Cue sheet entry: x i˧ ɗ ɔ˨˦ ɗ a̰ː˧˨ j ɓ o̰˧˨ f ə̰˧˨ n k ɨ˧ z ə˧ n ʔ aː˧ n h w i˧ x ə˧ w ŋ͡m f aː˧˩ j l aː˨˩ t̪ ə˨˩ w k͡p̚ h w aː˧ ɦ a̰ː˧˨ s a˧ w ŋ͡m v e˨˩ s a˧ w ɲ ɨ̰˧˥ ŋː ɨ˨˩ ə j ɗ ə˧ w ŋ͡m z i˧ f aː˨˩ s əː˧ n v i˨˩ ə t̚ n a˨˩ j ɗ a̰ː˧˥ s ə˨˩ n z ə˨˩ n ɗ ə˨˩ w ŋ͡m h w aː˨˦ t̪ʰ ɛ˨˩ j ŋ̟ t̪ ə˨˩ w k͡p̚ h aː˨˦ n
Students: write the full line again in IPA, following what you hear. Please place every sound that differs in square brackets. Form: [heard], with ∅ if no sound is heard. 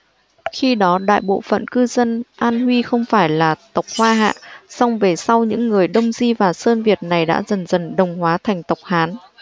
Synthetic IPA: x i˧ ɗ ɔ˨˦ ɗ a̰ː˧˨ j ɓ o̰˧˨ f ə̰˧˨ n k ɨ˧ z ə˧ n ʔ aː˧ n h w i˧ x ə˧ w ŋ͡m f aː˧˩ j l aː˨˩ t̪ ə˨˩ w k͡p̚ h w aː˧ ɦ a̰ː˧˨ s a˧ w ŋ͡m v e˨˩ s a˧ w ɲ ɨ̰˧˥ ŋː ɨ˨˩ ə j ɗ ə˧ w ŋ͡m z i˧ [v] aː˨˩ s əː˧ n v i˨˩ ə t̚ n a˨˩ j ɗ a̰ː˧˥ [z] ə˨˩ n z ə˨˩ n ɗ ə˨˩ w ŋ͡m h w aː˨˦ t̪ʰ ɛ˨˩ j ŋ̟ t̪ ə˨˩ w k͡p̚ h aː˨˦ n

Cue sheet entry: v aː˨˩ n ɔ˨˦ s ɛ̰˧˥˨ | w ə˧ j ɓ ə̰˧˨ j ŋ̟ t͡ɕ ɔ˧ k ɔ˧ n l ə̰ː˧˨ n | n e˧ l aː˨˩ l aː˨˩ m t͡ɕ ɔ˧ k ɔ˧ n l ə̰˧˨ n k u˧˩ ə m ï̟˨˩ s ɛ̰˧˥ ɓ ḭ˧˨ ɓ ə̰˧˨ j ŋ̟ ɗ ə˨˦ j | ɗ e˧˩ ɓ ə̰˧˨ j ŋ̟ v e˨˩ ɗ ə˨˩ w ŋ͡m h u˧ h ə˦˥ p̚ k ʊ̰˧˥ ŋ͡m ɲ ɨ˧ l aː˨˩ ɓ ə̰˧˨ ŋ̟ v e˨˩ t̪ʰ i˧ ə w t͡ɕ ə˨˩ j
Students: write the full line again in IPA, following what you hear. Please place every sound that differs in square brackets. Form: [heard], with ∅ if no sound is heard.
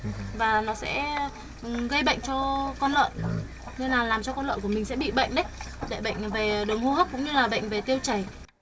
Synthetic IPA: v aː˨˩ n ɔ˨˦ s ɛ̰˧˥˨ | [ɣ] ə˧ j ɓ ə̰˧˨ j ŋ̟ t͡ɕ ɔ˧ k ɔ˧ n l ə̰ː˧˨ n | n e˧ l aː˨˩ l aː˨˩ m t͡ɕ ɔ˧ k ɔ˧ n l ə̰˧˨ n k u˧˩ ə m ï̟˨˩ s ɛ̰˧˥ ɓ ḭ˧˨ ɓ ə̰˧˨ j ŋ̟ ɗ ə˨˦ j | ɗ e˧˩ ɓ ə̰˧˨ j ŋ̟ v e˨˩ ɗ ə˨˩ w ŋ͡m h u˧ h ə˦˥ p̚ k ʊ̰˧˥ ŋ͡m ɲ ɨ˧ l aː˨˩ ɓ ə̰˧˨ ŋ̟ v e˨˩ [t̪] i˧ ə w t͡ɕ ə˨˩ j

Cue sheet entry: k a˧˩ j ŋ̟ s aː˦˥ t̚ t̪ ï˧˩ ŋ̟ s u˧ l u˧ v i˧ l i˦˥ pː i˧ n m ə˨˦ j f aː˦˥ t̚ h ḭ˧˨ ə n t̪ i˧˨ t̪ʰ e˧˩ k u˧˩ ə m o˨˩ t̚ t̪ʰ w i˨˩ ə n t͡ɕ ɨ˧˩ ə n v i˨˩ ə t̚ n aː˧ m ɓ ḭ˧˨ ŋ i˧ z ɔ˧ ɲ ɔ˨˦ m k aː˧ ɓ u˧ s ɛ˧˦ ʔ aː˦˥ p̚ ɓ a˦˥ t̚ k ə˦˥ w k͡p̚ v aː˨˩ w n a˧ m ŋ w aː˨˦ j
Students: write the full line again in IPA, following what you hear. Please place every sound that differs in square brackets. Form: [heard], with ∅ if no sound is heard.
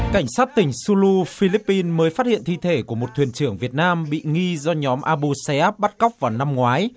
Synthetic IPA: k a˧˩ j ŋ̟ s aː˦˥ t̚ t̪ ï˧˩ ŋ̟ s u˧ l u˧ [f] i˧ l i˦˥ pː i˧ n m [əː˨˦] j f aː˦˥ t̚ h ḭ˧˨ ə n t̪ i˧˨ t̪ʰ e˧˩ k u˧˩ ə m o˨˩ t̚ t̪ʰ w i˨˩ ə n t͡ɕ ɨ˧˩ ə [ŋ] v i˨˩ ə t̚ n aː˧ m ɓ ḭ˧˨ ŋ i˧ z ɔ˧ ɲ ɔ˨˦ m [ʔ] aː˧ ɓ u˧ s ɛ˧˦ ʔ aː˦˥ p̚ ɓ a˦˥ t̚ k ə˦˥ w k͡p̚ v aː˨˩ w n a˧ m ŋ w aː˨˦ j

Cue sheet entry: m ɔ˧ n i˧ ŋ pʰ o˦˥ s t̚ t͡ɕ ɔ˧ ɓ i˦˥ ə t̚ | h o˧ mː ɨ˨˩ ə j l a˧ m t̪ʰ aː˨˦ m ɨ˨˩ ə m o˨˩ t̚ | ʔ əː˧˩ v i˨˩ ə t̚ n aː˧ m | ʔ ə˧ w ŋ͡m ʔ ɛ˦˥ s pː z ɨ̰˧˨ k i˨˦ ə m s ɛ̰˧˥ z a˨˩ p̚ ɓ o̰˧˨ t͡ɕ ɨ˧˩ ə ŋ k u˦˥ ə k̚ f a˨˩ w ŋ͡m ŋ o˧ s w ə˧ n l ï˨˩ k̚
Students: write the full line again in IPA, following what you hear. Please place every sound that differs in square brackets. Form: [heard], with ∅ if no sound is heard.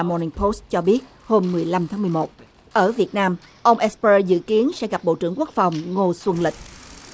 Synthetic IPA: m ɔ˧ n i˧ ŋ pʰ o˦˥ s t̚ t͡ɕ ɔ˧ ɓ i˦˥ ə t̚ | h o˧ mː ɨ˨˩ ə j l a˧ m t̪ʰ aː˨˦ m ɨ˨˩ ə m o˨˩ t̚ | ʔ əː˧˩ v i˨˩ ə t̚ n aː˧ m | ʔ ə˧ w ŋ͡m ʔ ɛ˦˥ s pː z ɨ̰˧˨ k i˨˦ ə [n] s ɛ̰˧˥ [ɣ] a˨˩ p̚ ɓ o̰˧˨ t͡ɕ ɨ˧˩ ə ŋ k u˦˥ ə k̚ f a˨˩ w ŋ͡m ŋ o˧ s w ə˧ n l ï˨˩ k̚

